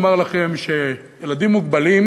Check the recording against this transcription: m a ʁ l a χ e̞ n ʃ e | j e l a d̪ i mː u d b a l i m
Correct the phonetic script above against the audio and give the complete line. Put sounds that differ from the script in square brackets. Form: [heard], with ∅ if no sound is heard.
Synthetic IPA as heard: m a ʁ l a χ e̞ [m] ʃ e | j e l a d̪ i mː u [ɡ] b a l i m